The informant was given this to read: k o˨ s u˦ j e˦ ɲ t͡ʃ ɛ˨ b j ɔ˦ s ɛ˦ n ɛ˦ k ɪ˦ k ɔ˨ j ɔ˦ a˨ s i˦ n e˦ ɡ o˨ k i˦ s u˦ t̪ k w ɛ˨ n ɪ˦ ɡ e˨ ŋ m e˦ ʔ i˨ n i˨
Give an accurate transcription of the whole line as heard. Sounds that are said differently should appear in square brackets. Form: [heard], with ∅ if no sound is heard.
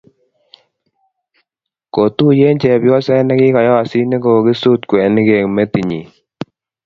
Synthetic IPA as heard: k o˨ [t] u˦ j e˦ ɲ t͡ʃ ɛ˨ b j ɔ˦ s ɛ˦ n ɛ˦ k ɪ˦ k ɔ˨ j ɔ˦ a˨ s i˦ n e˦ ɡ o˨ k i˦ s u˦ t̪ k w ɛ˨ n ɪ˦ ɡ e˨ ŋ m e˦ [t] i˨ [ɲ] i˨